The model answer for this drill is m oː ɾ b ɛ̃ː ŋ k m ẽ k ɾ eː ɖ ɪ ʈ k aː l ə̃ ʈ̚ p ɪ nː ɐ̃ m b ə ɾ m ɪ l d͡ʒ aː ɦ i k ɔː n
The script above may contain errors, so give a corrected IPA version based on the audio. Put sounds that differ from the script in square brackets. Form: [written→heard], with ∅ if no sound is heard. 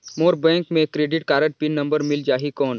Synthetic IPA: m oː ɾ b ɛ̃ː ŋ k m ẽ k ɾ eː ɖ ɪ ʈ k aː [l→ɾ] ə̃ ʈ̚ p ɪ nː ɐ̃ m b ə ɾ m ɪ l d͡ʒ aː ɦ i k ɔː n